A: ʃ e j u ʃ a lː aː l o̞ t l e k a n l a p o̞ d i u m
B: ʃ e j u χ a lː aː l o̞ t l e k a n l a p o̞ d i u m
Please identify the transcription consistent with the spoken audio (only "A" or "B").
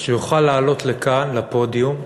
B